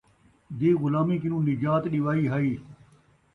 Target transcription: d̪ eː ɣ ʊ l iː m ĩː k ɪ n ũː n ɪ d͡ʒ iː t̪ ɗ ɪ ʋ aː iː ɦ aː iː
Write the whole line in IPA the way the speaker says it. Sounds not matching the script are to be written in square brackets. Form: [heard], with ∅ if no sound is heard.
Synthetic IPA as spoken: d̪ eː ɣ ʊ l [aː] m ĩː k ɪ n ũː n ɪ d͡ʒ [aː] t̪ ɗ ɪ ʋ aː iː ɦ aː iː